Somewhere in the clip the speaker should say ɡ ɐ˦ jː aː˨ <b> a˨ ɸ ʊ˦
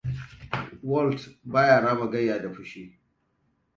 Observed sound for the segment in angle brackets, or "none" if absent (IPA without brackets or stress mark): d